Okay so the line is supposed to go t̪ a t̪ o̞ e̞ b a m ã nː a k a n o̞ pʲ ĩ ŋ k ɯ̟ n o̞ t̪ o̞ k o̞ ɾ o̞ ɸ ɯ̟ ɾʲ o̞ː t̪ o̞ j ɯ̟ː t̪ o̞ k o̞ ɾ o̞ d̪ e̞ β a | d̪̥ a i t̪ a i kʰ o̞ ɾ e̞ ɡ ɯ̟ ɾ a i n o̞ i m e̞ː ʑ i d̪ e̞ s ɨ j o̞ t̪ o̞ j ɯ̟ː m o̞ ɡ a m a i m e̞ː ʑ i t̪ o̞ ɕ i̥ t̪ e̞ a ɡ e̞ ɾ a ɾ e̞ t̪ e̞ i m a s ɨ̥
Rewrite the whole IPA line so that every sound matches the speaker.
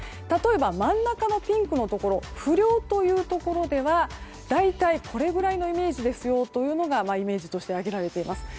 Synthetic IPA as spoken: t̪ a t̪ o̞ e̞ b a m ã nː a k a n o̞ pʲ ĩ ŋ k ɯ̟ n o̞ t̪ o̞ k o̞ ɾ o̞ ɸ ɯ̟ ɾʲ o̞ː t̪ o̞ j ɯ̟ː t̪ o̞ k o̞ ɾ o̞ d̪ e̞ β a | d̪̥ a i t̪ a i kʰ o̞ ɾ e̞ ɡ ɯ̟ ɾ a i n o̞ i m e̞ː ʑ i d̪ e̞ s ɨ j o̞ t̪ o̞ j ɯ̟ː n o̞ ɡ a m a i m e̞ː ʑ i t̪ o̞ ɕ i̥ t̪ e̞ a ɡ e̞ ɾ a ɾ e̞ t̪ e̞ i m a s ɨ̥